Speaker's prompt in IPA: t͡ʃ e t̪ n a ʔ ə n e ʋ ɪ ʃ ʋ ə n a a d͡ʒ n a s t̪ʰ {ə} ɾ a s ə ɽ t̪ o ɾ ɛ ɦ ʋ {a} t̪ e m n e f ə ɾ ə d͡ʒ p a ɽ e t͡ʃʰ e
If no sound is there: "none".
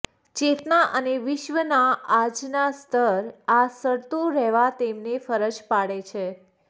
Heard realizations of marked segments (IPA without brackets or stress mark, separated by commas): ə, a